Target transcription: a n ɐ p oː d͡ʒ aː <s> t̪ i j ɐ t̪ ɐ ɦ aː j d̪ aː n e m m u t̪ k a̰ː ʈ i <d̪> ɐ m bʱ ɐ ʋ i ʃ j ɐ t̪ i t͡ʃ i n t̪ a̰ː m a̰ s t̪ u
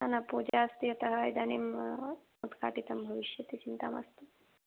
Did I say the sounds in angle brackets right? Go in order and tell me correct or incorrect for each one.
correct, incorrect: t̪

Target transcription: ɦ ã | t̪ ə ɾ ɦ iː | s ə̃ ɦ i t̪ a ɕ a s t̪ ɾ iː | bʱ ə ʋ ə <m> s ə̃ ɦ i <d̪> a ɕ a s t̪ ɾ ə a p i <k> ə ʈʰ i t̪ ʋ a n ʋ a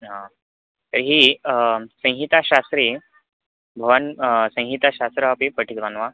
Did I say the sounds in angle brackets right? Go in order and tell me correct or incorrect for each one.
incorrect: n, incorrect: t̪, incorrect: p

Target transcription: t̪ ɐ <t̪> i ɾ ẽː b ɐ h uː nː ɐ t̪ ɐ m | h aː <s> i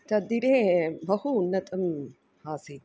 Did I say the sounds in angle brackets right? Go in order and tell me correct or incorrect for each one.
incorrect: d̪, correct

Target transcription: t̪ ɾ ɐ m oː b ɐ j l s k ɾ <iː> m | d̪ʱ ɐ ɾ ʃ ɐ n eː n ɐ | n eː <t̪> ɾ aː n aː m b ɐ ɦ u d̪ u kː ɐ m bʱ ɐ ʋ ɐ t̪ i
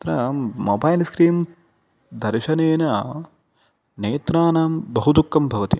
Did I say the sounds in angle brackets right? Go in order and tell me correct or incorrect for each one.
correct, correct

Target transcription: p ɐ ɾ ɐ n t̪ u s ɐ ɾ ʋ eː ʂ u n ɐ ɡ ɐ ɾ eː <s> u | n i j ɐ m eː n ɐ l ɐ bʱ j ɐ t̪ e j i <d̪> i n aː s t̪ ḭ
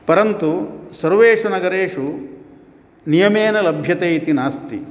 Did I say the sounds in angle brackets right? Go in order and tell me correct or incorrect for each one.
incorrect: ʂ, incorrect: t̪

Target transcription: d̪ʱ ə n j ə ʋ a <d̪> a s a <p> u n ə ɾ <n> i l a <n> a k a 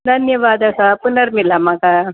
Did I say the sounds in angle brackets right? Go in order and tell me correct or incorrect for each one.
correct, correct, incorrect: m, incorrect: m

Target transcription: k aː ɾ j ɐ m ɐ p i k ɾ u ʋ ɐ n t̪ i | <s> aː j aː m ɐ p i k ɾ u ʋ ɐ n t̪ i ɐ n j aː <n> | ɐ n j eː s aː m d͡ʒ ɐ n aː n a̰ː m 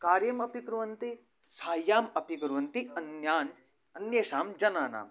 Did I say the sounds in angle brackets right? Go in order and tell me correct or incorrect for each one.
correct, correct

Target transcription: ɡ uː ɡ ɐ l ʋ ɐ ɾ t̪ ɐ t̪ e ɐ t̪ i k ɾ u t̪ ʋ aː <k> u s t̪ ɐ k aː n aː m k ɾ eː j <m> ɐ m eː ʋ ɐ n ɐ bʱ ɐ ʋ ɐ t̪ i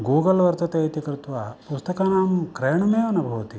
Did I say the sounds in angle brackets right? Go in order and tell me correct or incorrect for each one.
incorrect: p, incorrect: ɳ

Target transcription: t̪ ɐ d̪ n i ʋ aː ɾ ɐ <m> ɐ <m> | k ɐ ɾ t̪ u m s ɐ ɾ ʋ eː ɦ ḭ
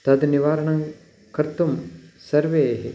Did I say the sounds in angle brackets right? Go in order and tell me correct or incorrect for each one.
incorrect: ɳ, incorrect: ŋ

